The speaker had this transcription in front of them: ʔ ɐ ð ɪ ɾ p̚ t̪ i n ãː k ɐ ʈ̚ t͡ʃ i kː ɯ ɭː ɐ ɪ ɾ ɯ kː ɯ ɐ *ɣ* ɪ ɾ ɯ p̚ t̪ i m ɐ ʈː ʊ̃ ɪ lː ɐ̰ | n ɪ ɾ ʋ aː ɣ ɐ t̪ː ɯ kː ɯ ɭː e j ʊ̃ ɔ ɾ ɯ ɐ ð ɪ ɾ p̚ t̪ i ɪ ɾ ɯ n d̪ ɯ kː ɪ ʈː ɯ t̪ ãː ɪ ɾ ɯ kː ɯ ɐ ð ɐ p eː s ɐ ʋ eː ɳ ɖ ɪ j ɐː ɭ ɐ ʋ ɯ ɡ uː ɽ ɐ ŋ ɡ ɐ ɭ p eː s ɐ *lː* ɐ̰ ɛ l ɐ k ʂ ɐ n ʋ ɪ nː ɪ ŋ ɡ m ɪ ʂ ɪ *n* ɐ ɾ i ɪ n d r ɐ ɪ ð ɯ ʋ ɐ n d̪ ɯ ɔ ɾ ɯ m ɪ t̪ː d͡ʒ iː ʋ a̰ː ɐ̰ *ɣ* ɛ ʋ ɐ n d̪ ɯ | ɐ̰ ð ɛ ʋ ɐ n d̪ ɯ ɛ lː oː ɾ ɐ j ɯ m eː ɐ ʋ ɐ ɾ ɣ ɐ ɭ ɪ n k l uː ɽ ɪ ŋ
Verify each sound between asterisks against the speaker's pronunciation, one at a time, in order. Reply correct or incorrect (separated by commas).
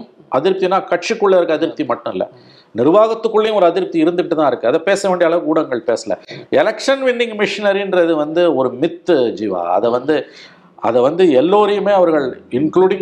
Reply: incorrect, incorrect, correct, incorrect